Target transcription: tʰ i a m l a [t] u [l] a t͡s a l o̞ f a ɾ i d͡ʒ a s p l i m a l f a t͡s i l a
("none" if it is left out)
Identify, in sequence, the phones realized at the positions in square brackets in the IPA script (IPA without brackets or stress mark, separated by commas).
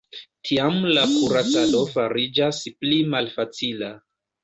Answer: k, ɾ